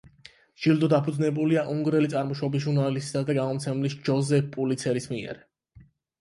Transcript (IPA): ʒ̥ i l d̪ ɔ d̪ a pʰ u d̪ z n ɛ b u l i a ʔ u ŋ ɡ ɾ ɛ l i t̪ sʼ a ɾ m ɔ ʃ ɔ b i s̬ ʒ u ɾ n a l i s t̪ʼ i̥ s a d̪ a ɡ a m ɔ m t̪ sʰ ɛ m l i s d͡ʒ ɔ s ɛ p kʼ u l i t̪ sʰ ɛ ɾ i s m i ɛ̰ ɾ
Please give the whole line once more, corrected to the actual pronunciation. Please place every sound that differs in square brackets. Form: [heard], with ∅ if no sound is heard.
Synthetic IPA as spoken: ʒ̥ i l d̪ ɔ d̪ a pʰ u d̪ z n ɛ b u l i a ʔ u ŋ ɡ ɾ ɛ l i t̪ sʼ a ɾ m ɔ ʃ ɔ b i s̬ ʒ u ɾ n a l i s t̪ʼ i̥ s a d̪ a ɡ a m ɔ m t̪ sʰ ɛ m l i s d͡ʒ ɔ [z] ɛ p [pʼ] u l i t̪ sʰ ɛ ɾ i s m i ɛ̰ ɾ